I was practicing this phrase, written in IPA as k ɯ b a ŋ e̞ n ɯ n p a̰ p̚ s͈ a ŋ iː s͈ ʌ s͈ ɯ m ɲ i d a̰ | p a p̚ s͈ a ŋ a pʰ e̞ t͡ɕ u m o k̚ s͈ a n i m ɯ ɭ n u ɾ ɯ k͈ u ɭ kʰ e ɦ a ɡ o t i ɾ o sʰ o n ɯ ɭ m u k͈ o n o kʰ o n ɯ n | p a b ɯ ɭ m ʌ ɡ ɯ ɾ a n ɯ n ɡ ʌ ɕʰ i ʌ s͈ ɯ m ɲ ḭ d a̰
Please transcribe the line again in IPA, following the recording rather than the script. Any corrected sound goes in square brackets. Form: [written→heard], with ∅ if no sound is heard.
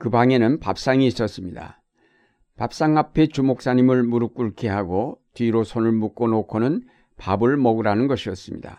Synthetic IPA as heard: k ɯ b a ŋ e̞ n ɯ n p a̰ p̚ s͈ a ŋ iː s͈ ʌ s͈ ɯ m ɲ i d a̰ | p a p̚ s͈ a ŋ a pʰ e̞ t͡ɕ u m o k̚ s͈ a [n→ɲ] i m ɯ ɭ [n→m] u ɾ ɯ k͈ u ɭ kʰ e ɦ a ɡ o t i ɾ o sʰ o n ɯ ɭ m u k͈ o n o kʰ o n ɯ n | p a b ɯ ɭ m ʌ ɡ ɯ ɾ a n ɯ n ɡ ʌ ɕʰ i ʌ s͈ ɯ m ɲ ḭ d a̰